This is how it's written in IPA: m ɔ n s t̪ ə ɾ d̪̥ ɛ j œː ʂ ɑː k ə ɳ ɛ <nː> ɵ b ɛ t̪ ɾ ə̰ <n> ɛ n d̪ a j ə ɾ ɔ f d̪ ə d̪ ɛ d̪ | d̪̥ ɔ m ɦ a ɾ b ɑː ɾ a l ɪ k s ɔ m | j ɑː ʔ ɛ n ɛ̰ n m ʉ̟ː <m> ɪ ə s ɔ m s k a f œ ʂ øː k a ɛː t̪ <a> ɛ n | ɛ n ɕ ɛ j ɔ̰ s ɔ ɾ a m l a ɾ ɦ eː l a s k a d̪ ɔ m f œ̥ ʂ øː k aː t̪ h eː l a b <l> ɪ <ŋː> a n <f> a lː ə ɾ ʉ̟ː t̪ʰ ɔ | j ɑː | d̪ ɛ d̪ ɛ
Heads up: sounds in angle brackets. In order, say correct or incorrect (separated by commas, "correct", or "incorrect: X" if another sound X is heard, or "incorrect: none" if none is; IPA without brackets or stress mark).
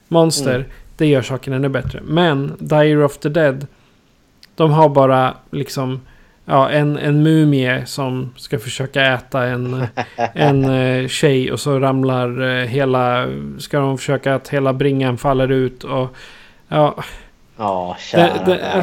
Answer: correct, incorrect: m, correct, correct, incorrect: ɾ, correct, correct